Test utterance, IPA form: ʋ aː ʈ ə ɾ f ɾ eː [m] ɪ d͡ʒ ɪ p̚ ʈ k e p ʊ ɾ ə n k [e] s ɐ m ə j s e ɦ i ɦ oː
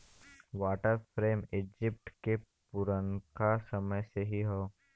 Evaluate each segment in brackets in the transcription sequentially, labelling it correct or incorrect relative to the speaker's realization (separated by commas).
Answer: correct, incorrect